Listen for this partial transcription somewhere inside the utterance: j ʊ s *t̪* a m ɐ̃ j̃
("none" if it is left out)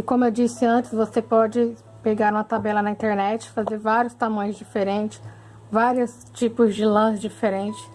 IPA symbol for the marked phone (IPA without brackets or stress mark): t̪